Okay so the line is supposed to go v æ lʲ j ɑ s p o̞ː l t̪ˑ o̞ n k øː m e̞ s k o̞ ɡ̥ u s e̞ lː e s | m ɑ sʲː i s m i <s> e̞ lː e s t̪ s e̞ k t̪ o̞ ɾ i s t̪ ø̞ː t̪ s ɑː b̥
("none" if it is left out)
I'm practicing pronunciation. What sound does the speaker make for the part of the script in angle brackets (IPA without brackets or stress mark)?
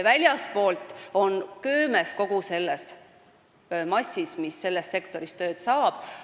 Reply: sː